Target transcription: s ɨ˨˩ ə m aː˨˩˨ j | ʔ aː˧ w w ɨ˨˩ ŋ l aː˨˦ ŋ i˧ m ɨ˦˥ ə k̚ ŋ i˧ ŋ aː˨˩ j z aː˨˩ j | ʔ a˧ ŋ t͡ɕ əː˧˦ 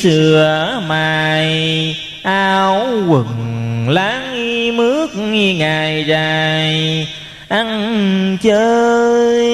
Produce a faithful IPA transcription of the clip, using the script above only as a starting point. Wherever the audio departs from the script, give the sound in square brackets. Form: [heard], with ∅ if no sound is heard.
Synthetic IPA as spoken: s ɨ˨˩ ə m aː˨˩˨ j | ʔ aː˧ w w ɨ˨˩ ŋ l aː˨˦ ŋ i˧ m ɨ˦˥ ə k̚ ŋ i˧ ŋ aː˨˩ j z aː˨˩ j | ʔ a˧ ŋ t͡ɕ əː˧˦